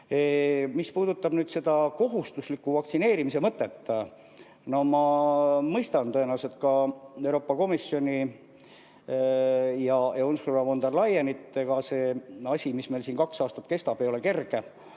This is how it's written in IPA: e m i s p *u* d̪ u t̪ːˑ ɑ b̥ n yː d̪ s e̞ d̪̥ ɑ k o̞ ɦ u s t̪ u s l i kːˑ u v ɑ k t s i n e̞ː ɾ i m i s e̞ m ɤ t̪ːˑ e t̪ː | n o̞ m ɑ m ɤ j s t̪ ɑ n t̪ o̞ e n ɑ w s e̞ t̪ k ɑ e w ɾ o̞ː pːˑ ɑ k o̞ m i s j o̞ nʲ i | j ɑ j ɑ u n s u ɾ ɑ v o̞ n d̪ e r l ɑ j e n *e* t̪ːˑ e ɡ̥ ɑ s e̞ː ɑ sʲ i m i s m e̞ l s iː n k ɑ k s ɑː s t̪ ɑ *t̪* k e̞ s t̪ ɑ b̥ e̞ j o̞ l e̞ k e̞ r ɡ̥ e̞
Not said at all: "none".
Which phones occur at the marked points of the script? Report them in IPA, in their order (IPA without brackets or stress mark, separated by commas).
uː, i, t̪